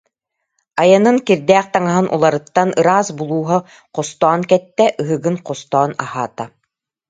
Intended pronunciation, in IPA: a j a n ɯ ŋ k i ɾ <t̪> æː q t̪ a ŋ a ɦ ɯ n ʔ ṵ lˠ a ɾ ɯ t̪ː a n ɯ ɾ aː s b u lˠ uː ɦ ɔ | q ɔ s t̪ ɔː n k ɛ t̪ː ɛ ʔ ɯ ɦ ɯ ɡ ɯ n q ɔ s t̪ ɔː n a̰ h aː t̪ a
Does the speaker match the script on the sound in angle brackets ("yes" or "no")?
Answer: no